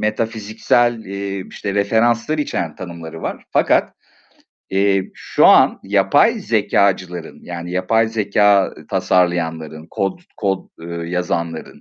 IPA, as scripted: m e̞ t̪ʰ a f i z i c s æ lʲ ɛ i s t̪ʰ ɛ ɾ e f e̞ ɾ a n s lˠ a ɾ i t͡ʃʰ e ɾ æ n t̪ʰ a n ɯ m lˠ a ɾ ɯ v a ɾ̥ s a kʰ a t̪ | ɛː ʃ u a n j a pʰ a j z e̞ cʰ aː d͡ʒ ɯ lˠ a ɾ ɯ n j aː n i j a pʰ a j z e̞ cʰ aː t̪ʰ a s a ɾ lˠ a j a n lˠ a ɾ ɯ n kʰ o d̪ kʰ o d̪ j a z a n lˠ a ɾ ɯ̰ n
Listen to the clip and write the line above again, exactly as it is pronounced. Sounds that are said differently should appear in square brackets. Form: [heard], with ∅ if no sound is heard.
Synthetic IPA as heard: m e̞ t̪ʰ a f i z i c s æ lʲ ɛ i [ʃ] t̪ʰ ɛ ɾ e f e̞ ɾ a n s lˠ a ɾ i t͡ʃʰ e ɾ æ n t̪ʰ a n ɯ m lˠ a ɾ ɯ v a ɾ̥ [f] a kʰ a t̪ | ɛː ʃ u a n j a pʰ a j z e̞ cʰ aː d͡ʒ ɯ lˠ a ɾ ɯ n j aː n i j a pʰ a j z e̞ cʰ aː t̪ʰ a s a ɾ lˠ a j a n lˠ a ɾ ɯ n kʰ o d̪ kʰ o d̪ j a z a n lˠ a ɾ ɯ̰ n